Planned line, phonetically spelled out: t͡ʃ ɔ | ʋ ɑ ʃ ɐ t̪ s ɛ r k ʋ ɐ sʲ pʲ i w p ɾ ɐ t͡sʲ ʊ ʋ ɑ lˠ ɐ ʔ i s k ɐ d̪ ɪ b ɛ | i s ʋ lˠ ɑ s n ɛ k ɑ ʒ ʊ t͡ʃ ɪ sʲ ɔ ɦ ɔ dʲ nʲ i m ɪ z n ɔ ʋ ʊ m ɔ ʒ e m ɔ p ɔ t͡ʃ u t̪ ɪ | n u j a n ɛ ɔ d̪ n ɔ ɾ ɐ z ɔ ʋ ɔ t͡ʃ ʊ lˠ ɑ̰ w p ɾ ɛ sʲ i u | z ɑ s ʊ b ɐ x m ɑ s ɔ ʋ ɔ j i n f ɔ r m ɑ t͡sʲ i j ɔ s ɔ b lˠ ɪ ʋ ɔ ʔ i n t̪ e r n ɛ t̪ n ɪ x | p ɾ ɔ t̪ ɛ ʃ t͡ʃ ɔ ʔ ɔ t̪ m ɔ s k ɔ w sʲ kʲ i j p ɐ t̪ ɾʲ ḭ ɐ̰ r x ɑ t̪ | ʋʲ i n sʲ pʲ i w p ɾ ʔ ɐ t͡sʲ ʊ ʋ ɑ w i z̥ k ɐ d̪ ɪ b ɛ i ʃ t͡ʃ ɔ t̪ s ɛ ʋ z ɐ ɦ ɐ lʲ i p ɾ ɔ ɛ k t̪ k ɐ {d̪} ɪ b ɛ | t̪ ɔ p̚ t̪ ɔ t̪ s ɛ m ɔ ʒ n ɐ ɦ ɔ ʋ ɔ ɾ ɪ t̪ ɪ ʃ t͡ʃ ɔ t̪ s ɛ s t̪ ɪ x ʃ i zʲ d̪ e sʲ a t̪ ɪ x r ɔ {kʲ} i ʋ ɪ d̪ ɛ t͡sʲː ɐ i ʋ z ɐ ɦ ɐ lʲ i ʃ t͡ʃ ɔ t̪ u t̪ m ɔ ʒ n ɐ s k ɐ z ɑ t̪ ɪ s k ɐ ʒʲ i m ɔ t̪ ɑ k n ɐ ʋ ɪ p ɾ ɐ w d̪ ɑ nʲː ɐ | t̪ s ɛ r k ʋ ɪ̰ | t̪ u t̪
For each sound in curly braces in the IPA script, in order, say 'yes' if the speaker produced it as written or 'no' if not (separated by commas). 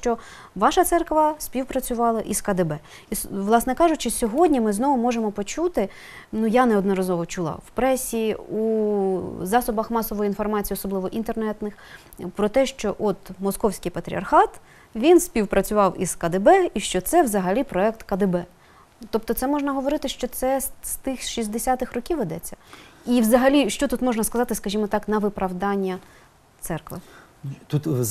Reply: yes, yes